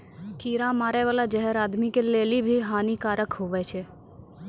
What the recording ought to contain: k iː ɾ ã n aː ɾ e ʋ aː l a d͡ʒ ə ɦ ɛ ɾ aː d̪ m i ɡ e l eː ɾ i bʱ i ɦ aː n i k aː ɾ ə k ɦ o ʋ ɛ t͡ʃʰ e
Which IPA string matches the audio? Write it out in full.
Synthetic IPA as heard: k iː ɾ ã m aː ɾ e ʋ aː l a d͡ʒ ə ɦ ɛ ɾ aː d̪ m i k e l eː l i bʱ i ɦ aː n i k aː ɾ ə k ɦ o ʋ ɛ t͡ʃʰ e